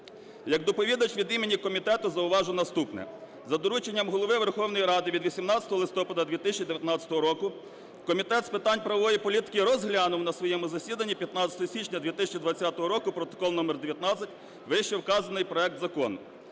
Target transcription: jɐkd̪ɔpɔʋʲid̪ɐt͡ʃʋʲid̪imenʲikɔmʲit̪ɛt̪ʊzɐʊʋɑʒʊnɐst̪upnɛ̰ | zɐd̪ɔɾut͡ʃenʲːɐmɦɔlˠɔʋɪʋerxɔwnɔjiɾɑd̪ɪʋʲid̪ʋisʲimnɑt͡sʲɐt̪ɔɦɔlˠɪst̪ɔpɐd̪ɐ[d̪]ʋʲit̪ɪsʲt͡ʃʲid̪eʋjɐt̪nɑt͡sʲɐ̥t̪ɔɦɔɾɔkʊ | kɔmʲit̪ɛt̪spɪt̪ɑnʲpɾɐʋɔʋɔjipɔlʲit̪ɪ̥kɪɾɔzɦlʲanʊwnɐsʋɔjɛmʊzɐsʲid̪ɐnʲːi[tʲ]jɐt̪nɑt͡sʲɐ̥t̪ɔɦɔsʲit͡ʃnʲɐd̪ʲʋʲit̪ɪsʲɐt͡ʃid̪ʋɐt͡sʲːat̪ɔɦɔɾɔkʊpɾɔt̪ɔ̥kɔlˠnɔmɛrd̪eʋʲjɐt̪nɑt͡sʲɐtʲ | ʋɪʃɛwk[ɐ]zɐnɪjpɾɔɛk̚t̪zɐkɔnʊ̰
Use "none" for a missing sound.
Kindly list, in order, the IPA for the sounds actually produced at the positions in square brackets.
d̪, pʲ, ɑ

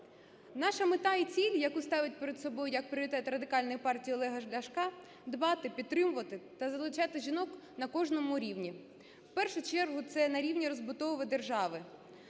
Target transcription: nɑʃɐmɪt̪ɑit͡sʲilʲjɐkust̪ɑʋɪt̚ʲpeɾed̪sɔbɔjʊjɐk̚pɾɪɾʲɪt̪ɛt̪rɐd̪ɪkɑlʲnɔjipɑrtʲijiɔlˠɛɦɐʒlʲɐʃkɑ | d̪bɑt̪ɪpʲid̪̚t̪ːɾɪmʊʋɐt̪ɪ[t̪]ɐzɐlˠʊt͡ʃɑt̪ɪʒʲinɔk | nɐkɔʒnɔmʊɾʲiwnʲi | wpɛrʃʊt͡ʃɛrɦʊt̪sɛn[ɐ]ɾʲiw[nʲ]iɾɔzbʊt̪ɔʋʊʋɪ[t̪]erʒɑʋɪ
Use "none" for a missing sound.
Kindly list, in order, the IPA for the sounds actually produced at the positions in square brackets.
t̪, ɐ, nʲ, d̪

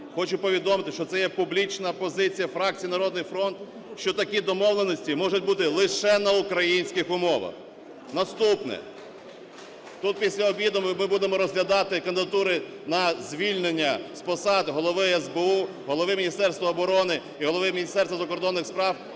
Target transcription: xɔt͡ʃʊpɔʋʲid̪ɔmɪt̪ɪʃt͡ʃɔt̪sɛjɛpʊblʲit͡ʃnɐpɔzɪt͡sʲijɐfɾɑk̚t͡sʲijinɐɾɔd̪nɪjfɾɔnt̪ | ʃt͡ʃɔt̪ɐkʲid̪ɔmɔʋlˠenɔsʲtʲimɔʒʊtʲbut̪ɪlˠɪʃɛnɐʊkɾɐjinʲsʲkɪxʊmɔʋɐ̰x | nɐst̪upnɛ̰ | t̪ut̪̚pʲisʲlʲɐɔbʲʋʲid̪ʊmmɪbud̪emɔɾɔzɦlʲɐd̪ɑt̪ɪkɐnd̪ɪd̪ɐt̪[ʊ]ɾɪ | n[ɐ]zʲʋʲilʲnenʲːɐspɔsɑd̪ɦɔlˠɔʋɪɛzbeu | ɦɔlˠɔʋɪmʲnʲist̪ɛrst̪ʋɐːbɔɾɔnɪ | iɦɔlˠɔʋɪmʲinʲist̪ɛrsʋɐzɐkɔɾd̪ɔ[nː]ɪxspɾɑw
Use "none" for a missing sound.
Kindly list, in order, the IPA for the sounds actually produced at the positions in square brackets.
u, ɐ, nː

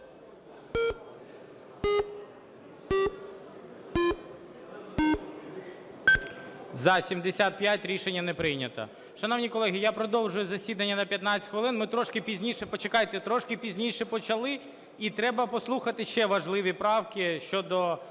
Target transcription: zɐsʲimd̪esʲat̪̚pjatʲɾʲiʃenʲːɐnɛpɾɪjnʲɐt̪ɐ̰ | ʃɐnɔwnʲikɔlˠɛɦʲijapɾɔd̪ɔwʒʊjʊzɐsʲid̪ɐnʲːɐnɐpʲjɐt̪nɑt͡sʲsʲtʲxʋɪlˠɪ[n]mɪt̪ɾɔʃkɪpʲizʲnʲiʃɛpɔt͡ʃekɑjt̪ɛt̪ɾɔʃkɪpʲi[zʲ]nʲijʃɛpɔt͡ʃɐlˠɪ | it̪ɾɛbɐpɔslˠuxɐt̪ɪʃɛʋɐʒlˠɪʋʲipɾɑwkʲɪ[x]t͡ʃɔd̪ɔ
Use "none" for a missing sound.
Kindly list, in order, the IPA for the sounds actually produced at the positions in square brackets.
n, zʲ, ʃ

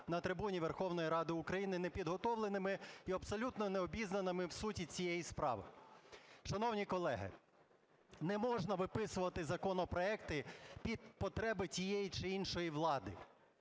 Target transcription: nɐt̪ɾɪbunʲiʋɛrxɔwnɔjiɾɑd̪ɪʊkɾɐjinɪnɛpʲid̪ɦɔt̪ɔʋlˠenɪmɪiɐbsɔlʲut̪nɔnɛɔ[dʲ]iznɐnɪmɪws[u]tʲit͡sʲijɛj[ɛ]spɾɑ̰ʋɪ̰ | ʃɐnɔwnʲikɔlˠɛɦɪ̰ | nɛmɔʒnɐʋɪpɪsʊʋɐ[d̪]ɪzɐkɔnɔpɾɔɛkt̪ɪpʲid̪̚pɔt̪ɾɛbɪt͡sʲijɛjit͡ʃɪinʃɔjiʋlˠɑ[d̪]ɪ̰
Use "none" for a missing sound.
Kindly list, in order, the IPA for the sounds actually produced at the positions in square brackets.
bʲ, u, i, t̪, d̪

